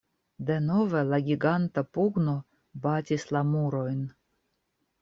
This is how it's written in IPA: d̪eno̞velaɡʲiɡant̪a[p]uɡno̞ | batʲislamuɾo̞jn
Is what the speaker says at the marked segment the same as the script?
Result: yes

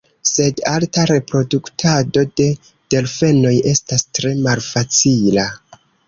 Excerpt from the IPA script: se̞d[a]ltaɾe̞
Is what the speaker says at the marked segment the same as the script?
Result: yes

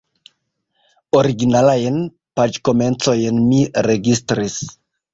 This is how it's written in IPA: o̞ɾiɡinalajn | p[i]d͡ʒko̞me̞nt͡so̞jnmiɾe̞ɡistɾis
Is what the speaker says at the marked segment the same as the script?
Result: no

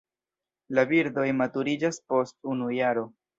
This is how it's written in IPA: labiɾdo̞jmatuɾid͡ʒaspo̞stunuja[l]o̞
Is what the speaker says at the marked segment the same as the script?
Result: no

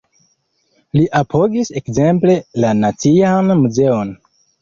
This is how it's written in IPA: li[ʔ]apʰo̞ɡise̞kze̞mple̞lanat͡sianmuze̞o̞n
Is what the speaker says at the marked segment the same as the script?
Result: yes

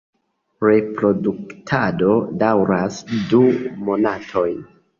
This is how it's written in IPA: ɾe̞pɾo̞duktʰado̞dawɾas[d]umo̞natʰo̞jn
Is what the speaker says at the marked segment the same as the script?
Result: yes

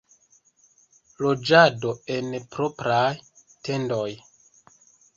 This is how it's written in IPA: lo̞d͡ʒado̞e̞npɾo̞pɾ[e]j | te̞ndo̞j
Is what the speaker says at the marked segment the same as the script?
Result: no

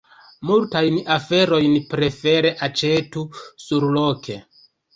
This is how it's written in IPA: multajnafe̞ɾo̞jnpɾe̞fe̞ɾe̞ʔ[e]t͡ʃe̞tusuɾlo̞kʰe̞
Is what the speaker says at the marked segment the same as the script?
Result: no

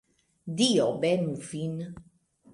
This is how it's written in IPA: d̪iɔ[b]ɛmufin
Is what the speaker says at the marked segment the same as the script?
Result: yes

